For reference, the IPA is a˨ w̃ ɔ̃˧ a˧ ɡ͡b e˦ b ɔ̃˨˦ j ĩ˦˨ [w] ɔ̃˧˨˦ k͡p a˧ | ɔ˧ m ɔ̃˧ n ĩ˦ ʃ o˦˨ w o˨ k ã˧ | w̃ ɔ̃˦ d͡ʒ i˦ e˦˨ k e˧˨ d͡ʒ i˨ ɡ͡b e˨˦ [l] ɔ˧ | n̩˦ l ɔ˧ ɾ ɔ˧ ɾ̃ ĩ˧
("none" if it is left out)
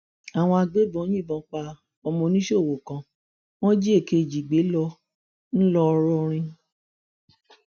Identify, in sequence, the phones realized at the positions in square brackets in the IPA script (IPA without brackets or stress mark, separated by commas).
b, l